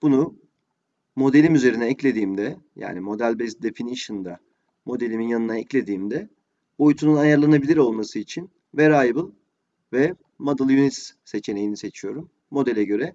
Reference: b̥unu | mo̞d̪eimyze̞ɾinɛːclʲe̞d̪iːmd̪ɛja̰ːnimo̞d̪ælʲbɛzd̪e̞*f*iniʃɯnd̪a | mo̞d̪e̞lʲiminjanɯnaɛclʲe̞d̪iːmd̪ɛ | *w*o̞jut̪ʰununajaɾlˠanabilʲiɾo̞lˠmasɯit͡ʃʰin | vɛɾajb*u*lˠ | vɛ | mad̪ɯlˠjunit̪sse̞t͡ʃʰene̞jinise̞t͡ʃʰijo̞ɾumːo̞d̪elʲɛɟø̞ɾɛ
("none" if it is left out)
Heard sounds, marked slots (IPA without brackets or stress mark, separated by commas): f, b, ɯ